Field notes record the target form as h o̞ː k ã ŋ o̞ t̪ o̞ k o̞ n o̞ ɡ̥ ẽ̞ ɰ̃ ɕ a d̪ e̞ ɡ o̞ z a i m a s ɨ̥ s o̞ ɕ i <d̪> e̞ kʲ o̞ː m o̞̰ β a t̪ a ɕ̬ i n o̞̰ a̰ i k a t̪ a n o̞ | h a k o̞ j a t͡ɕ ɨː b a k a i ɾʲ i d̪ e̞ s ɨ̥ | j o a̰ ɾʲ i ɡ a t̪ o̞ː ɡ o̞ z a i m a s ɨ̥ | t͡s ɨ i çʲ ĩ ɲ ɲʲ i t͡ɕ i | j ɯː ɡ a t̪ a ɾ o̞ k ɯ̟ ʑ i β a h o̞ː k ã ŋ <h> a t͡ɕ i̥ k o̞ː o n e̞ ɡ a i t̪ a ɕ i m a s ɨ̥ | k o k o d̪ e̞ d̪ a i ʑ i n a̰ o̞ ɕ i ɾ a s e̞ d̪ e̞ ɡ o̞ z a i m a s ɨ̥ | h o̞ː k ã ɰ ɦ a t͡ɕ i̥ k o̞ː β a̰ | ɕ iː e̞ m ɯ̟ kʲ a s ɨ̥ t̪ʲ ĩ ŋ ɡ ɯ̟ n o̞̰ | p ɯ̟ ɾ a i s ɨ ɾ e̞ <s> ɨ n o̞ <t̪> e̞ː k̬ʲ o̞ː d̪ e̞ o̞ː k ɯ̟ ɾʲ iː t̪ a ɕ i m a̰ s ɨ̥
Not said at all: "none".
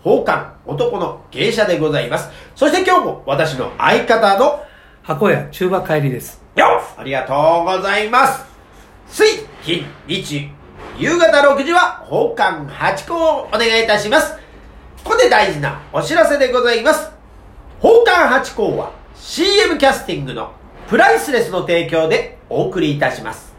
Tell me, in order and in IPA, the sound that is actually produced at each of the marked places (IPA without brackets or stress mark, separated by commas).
t̪, h, s, t̪